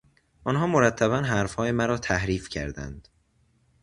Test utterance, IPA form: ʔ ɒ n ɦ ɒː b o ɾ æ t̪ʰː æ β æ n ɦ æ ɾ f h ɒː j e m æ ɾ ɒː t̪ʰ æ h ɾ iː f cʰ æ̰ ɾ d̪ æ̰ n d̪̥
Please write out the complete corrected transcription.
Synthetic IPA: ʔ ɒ n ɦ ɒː m o ɾ æ t̪ʰː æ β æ n ɦ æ ɾ f h ɒː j e m æ ɾ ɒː t̪ʰ æ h ɾ iː f cʰ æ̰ ɾ d̪ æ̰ n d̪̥